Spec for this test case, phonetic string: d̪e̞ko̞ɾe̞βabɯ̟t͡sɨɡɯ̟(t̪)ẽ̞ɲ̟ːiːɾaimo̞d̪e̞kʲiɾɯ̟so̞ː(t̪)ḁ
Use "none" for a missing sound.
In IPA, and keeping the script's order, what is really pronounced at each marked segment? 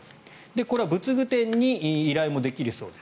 t̪, d̪

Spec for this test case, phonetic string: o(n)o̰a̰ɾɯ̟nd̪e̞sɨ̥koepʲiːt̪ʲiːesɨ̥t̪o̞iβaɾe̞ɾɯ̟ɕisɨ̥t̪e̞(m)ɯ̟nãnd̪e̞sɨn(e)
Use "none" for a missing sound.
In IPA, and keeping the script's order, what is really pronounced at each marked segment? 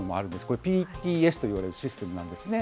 m, m, e

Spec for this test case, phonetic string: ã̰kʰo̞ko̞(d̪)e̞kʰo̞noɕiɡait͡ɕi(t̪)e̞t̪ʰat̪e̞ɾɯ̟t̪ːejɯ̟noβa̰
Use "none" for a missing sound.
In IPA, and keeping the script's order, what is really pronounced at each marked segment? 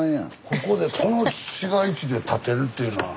d̪, d̪

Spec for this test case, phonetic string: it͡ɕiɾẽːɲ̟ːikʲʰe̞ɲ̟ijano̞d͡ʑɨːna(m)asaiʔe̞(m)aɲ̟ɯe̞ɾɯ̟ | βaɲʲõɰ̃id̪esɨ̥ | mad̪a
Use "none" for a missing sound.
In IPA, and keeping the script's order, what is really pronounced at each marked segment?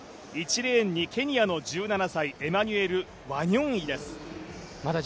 n, m

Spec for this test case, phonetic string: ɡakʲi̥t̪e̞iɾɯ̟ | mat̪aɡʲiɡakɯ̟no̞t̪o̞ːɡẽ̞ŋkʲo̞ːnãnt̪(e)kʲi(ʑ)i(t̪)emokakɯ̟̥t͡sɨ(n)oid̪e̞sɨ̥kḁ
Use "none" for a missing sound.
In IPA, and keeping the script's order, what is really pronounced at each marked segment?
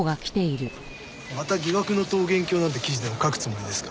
e, ʑ, d̪, m

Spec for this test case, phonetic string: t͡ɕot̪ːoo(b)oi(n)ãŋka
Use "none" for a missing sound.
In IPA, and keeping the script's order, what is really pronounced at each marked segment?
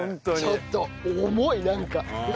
m, n

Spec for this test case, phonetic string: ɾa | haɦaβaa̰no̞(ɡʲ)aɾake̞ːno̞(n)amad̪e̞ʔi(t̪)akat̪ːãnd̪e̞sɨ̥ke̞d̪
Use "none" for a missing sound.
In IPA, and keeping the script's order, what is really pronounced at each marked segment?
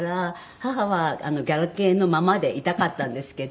ɡʲ, m, t̪

